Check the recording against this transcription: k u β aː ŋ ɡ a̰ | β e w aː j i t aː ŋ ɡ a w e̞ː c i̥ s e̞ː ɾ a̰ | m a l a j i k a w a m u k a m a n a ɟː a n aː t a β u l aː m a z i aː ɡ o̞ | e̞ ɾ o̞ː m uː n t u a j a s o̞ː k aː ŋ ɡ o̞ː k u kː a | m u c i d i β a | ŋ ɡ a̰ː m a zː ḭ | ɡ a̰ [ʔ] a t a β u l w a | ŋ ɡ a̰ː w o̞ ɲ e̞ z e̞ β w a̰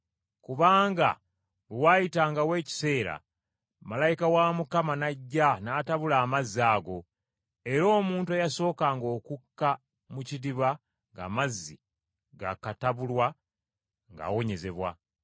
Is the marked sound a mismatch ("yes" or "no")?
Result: yes